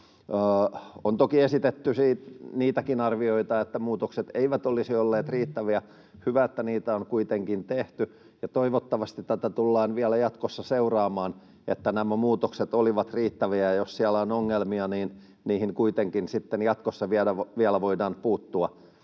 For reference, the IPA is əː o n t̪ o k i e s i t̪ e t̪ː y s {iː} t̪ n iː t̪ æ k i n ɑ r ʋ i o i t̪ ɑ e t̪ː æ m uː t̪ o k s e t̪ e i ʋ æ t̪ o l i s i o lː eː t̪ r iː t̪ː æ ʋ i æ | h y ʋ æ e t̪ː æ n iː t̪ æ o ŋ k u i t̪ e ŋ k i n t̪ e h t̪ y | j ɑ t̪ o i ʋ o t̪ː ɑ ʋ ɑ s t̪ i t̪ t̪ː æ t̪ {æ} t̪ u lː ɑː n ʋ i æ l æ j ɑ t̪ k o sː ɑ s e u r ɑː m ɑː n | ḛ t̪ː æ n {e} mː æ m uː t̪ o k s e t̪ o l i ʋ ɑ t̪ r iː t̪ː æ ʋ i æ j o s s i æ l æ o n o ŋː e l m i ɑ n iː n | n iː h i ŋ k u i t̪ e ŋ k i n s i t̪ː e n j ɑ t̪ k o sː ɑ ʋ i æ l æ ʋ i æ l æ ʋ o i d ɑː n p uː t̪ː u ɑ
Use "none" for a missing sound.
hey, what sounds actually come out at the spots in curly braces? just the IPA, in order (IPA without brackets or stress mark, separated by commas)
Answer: iː, æ, æ